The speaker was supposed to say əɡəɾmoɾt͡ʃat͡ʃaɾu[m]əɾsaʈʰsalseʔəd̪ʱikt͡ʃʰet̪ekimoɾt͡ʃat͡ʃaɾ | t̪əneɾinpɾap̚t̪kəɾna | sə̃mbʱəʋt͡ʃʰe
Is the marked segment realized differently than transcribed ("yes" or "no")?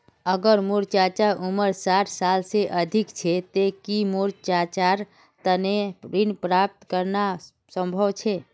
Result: no